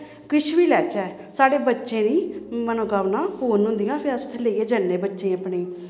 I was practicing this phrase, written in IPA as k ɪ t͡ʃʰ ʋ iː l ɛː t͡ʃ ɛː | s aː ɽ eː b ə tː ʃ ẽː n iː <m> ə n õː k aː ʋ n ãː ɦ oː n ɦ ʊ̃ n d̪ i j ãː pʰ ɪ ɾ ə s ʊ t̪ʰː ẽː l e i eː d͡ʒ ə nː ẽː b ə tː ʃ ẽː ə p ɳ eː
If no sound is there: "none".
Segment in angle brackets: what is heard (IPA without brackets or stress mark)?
m